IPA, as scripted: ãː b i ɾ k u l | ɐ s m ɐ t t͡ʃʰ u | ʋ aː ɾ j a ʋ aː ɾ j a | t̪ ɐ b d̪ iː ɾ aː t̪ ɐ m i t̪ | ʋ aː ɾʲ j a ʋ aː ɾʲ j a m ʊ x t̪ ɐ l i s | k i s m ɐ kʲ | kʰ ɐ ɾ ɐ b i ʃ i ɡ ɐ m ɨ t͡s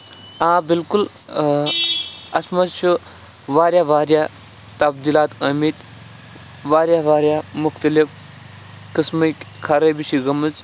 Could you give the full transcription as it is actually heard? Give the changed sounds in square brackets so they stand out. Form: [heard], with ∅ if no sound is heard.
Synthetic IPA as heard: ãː b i [l] k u l | ɐ s m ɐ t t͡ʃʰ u | ʋ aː ɾ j a ʋ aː ɾ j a | t̪ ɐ b d̪ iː [l] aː t̪ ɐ m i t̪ | ʋ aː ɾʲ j a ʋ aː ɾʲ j a m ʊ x t̪ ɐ l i [f] | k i s m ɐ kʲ | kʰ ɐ ɾ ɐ b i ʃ i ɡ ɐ m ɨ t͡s